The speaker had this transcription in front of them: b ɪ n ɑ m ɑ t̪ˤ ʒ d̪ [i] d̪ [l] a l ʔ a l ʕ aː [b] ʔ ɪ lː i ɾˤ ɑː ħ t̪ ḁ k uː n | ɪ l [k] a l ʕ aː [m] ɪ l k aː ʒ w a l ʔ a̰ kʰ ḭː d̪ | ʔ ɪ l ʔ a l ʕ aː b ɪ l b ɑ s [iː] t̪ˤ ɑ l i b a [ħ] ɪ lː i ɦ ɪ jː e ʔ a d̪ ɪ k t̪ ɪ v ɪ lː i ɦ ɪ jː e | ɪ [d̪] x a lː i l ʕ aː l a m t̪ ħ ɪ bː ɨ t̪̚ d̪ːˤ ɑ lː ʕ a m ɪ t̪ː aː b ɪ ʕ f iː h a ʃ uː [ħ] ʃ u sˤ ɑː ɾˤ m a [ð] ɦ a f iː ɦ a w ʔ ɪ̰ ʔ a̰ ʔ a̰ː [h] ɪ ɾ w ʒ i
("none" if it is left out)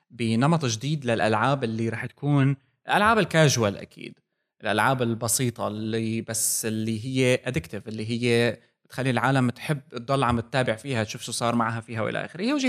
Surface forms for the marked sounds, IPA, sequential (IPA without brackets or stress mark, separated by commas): iː, l, b, ʔ, b, iː, s, t̪, f, ʕ, x